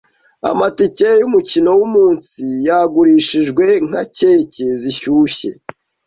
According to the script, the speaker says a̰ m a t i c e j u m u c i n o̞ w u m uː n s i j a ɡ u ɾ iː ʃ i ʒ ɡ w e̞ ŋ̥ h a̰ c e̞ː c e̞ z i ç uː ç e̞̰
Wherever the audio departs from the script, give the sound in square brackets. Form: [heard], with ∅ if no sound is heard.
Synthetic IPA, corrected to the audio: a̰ m a t i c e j u m u c i n o̞ w u m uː n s i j a ɡ u ɾ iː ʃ i ʒ ɡ w e̞ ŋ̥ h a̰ c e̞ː c e̞ z i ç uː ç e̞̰